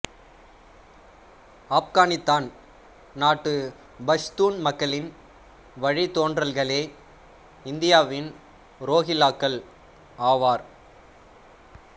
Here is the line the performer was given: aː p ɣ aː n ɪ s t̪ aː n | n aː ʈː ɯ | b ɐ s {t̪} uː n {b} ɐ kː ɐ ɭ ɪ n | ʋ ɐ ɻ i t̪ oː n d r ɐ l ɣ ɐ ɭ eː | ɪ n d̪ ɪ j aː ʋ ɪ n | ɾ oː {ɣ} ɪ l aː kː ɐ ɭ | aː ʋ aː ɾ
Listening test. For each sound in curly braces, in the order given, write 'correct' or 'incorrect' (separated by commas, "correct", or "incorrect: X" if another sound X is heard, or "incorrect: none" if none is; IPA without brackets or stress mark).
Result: correct, incorrect: m, correct